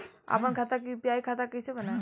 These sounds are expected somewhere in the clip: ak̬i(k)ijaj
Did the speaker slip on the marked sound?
yes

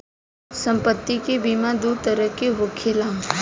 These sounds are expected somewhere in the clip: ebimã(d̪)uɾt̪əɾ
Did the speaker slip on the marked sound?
no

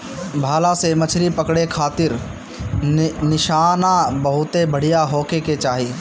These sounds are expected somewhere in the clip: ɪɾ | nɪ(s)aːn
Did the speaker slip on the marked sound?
yes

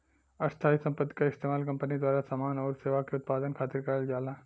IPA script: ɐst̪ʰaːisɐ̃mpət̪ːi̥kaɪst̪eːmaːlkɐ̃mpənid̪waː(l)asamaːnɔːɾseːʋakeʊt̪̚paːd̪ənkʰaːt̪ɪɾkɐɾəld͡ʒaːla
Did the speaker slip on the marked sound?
yes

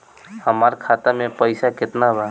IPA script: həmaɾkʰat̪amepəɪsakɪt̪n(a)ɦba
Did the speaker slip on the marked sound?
no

